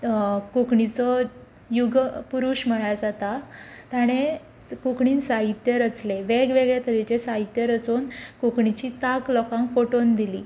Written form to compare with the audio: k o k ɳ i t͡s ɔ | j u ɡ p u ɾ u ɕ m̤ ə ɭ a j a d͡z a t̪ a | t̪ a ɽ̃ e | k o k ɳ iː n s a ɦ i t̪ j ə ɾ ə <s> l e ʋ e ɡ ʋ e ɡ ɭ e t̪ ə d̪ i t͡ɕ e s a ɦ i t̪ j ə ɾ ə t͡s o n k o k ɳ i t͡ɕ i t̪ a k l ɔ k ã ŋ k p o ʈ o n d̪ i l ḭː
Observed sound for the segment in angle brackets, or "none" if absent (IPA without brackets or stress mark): t͡s